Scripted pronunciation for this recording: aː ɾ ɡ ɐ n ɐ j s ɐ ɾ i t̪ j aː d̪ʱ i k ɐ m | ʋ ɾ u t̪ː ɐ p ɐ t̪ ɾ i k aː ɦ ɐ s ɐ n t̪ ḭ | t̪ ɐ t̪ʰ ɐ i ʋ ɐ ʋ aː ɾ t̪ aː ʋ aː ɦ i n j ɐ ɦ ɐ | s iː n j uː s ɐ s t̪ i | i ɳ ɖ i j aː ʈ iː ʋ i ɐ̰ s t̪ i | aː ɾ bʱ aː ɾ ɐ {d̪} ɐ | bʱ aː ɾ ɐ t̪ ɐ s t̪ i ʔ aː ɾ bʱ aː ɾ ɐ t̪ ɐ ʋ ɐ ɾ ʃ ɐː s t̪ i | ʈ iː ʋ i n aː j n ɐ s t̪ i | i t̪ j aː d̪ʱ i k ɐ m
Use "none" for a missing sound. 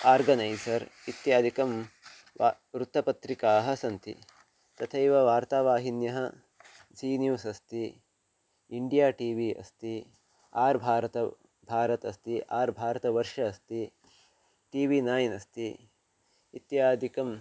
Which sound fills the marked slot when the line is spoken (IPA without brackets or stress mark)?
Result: t̪